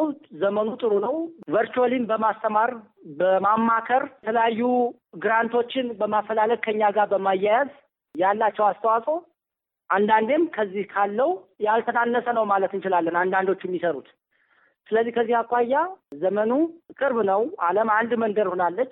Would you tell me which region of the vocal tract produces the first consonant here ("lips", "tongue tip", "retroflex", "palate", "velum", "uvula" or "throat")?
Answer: tongue tip